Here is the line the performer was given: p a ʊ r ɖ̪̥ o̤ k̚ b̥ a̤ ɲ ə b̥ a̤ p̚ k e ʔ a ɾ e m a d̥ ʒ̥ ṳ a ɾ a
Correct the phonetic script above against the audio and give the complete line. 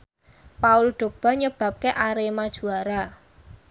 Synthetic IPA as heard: p a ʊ l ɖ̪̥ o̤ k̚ b̥ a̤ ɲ ə b̥ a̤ p̚ k e ʔ a ɾ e m a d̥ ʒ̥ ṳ a ɾ a